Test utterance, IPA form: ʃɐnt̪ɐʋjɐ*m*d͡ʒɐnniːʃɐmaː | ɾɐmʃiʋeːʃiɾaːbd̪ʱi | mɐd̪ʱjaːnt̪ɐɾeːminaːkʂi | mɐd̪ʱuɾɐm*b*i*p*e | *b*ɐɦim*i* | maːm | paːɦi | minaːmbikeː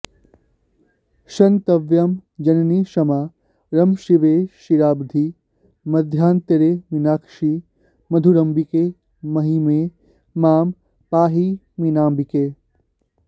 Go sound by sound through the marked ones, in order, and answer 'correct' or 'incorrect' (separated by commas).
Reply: correct, correct, incorrect, incorrect, incorrect